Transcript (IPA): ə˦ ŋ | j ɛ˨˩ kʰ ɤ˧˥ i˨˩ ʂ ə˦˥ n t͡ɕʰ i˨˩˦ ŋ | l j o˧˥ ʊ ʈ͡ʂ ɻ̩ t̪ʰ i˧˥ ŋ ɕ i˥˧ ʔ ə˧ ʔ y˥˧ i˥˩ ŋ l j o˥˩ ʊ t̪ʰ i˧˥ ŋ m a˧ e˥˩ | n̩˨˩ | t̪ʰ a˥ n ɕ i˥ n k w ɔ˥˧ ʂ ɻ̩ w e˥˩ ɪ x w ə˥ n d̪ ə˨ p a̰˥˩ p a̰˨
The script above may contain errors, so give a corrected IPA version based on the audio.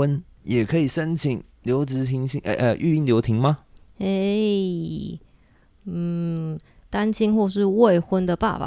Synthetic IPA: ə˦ n | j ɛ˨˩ kʰ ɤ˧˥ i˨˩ ʂ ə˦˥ n t͡ɕʰ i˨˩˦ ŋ | l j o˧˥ ʊ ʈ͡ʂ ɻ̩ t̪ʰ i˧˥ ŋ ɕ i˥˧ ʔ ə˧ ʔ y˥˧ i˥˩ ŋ l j o˧˥ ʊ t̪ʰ i˧˥ ŋ m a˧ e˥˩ | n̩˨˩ | t̪ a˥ n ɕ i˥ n x w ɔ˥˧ ʂ ɻ̩ w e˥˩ ɪ x w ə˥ n d̪ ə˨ p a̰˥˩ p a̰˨